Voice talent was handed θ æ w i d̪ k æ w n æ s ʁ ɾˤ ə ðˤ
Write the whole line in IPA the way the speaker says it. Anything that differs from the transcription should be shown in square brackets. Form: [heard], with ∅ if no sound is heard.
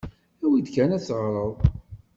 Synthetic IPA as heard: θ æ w i d̪ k æ [∅] n æ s ʁ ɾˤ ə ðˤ